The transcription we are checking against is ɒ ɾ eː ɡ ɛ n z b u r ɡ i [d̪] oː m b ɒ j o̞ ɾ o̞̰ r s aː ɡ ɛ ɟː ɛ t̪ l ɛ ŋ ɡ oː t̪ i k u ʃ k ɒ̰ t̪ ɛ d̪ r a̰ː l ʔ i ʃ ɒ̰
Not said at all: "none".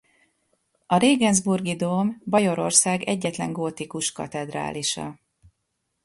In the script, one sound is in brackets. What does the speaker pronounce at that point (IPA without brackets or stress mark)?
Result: d̪